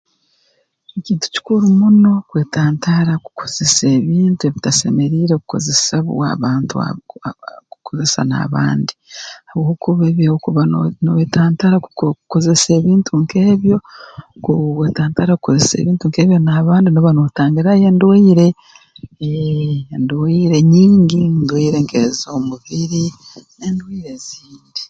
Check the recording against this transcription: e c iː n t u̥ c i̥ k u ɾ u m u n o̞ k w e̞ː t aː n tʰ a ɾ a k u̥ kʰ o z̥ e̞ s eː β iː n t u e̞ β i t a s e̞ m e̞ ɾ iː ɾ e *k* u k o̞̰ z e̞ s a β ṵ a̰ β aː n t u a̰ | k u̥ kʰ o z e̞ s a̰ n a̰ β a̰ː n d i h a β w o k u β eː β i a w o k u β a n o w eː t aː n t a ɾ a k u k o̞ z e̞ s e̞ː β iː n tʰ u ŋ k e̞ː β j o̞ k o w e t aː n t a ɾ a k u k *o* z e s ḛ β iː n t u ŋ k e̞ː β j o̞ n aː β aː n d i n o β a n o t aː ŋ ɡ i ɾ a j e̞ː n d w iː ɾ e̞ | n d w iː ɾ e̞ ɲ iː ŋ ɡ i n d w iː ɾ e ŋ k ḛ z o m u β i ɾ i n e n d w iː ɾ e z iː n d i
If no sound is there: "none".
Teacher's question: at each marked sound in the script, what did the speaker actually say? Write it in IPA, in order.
k, o

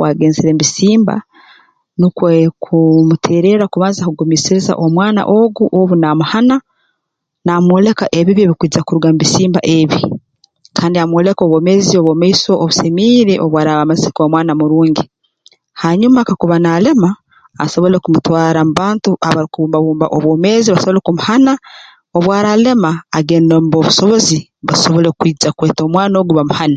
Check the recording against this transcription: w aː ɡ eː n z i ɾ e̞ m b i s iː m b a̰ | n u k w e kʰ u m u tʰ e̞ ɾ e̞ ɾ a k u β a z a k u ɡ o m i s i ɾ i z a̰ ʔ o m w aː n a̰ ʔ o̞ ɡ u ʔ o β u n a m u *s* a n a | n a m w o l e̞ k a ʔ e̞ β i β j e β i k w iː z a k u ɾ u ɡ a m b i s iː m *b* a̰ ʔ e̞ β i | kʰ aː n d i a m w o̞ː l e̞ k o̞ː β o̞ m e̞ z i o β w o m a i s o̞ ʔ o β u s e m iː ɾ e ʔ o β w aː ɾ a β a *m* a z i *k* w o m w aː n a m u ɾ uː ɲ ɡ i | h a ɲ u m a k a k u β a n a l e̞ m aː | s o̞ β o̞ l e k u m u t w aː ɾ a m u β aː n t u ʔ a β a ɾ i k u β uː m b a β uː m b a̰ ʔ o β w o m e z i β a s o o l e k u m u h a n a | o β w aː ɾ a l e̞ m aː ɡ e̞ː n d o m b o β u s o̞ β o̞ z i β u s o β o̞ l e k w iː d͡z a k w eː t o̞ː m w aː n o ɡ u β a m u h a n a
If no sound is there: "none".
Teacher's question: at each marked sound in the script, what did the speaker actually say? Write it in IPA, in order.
h, b, m, k

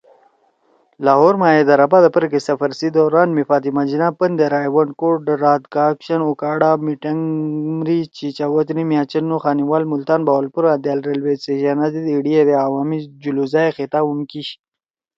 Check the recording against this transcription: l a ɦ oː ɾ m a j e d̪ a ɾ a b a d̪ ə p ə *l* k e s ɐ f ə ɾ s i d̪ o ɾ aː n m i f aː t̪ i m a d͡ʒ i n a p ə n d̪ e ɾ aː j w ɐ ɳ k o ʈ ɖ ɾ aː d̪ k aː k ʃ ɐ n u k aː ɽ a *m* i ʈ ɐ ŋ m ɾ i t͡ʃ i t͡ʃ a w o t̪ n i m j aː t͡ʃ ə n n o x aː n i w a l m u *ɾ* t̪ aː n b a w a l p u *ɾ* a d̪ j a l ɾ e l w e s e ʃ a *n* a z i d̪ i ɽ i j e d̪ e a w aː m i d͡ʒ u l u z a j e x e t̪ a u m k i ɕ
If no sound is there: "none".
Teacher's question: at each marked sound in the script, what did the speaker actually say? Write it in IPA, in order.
ɾ, m, l, ɾ, n

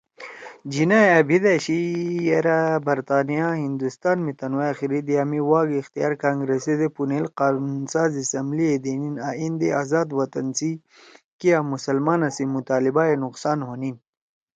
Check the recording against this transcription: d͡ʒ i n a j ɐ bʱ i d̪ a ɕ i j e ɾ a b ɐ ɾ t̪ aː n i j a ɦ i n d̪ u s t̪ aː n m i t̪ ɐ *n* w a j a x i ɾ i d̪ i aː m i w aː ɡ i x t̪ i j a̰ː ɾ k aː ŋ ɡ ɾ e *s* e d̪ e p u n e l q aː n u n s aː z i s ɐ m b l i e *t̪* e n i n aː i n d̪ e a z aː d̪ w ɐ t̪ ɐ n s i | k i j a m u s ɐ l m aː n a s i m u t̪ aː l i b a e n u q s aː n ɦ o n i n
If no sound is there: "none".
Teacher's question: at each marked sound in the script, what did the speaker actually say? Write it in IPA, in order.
n, s, d̪

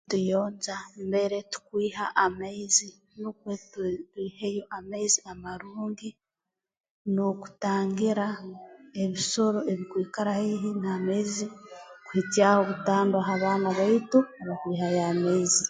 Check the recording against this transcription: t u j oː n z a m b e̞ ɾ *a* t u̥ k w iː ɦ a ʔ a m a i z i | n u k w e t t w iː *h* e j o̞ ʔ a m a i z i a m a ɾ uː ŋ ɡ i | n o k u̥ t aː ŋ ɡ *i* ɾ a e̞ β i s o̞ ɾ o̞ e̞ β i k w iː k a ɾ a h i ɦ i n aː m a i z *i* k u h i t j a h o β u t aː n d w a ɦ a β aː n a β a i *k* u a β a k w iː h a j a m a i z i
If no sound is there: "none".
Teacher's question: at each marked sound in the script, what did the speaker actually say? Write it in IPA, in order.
e, h, i, i, t

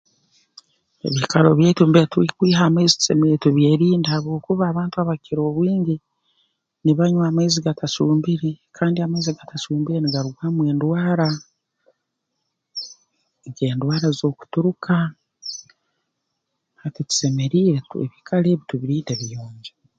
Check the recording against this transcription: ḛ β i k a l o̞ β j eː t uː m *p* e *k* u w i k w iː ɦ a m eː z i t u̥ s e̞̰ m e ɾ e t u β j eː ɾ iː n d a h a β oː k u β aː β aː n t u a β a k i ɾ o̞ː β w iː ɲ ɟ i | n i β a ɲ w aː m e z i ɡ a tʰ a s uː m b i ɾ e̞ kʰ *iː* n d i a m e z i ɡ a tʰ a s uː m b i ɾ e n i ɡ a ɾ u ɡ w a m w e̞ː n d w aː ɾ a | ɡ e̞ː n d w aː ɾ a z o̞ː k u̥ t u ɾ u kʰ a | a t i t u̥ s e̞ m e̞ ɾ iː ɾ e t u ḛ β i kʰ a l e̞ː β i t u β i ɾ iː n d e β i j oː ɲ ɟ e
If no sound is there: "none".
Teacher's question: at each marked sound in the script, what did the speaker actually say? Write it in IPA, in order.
b, t, aː

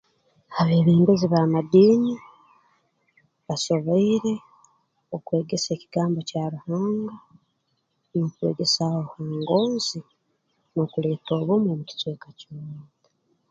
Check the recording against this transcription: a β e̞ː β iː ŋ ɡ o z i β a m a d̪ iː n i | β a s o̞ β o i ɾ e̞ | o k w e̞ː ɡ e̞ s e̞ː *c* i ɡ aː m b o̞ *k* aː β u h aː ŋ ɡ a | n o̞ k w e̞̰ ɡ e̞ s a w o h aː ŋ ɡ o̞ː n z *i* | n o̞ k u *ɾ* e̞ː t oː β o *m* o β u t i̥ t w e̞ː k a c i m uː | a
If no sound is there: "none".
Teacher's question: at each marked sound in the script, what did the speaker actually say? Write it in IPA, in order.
c, c, i, l, m

